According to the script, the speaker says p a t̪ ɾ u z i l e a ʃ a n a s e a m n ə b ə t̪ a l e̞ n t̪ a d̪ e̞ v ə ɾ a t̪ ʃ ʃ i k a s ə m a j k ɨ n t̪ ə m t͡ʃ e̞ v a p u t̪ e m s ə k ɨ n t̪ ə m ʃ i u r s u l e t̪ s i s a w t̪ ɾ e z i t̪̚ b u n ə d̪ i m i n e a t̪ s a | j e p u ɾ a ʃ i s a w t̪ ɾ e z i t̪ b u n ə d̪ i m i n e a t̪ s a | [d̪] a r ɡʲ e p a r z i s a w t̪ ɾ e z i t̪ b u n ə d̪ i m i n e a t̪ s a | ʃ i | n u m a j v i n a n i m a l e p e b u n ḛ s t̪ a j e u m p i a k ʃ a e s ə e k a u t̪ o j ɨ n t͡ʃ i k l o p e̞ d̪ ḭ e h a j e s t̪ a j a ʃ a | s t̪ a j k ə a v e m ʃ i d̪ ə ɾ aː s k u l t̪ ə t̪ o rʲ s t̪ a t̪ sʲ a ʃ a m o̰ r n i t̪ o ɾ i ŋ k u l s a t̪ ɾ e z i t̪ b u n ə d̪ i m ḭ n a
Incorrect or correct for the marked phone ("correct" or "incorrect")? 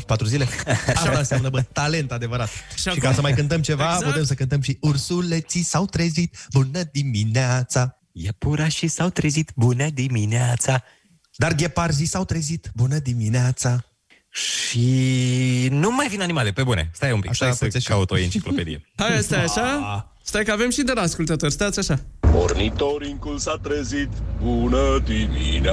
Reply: correct